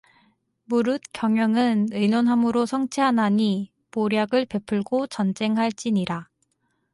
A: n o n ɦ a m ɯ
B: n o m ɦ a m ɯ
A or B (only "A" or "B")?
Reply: A